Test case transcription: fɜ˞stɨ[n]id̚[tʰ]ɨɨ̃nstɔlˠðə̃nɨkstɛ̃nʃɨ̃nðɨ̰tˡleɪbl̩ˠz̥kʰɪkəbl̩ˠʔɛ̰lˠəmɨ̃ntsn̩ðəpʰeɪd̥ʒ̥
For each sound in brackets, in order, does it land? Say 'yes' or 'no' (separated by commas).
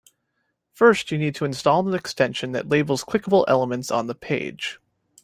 yes, yes